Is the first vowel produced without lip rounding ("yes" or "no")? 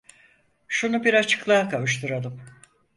no